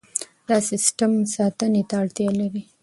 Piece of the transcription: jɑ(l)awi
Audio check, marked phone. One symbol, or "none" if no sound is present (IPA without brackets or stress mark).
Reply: l